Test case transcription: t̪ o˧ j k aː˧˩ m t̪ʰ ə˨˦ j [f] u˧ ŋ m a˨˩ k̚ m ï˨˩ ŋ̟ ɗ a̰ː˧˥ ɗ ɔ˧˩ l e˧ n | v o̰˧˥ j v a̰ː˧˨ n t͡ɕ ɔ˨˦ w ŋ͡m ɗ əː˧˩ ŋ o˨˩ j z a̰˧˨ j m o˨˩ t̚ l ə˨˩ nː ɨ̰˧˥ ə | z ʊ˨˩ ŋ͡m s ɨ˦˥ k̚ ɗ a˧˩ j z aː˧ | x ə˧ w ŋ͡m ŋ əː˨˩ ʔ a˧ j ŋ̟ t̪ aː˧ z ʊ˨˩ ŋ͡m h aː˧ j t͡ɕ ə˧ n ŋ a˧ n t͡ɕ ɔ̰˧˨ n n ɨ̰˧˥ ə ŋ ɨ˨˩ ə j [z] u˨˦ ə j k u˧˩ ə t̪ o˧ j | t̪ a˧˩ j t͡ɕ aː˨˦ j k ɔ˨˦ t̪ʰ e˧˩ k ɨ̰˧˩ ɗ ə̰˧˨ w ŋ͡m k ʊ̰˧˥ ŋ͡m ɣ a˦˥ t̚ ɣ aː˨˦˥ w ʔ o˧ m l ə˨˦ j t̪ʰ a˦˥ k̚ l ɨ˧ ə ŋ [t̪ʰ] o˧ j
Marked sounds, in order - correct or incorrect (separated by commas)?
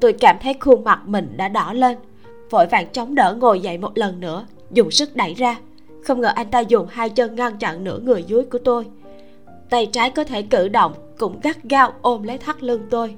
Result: incorrect, correct, incorrect